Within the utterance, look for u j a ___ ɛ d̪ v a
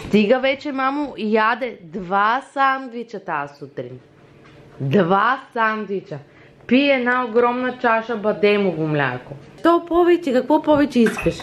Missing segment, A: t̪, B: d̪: B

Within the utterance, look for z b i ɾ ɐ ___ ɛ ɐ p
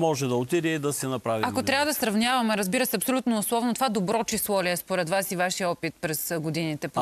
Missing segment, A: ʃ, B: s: B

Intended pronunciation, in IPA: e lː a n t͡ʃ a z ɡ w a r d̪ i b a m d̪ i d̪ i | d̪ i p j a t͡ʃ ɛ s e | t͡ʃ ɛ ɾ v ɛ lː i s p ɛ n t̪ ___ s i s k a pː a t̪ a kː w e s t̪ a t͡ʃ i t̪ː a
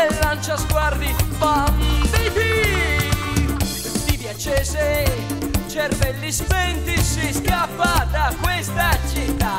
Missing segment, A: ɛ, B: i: B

